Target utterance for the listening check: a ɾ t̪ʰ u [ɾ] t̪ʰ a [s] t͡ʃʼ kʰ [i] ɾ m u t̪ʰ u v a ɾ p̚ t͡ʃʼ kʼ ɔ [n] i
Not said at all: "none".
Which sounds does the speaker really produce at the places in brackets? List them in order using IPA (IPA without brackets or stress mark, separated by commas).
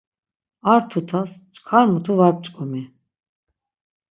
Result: none, s, a, m